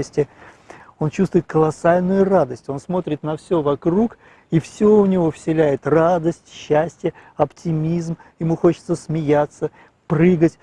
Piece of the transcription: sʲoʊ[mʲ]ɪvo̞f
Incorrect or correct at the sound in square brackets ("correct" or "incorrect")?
incorrect